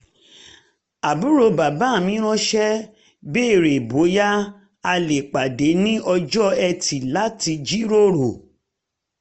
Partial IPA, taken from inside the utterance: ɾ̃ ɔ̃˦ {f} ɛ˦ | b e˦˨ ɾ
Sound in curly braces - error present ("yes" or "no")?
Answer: yes